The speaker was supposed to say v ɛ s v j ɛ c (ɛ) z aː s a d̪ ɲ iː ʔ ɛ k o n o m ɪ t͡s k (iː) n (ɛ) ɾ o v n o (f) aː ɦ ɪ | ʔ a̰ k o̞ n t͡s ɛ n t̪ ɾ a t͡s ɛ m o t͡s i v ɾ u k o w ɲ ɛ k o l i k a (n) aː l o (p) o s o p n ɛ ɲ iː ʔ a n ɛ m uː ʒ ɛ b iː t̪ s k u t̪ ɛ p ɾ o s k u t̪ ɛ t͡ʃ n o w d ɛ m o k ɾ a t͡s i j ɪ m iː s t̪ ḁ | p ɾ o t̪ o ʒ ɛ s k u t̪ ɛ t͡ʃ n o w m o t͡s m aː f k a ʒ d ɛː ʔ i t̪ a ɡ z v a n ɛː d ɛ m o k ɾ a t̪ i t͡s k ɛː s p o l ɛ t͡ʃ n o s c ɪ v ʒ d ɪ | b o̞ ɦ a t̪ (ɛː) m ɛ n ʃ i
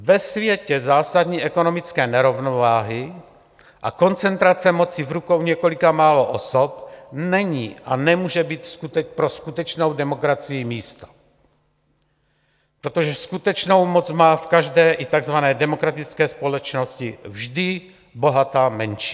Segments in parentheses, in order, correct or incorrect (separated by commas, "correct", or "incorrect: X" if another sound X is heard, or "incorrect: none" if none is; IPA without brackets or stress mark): correct, incorrect: ɛː, correct, incorrect: v, incorrect: m, incorrect: ʔ, incorrect: aː